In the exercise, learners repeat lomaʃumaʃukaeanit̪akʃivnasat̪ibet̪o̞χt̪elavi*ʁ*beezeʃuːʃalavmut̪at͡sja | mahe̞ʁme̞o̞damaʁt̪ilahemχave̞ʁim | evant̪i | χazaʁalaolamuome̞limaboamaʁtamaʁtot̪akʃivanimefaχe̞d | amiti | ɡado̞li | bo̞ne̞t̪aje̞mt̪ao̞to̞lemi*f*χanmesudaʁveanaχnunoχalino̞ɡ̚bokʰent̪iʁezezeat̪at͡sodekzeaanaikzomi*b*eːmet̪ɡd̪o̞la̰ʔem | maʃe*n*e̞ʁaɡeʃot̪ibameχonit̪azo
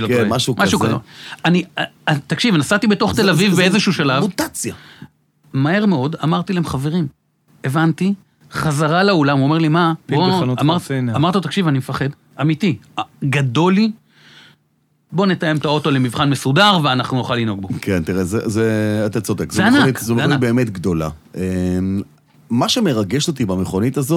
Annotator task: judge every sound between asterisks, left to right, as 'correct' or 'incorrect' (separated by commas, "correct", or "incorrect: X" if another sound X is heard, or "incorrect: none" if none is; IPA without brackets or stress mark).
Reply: incorrect: v, incorrect: v, correct, incorrect: m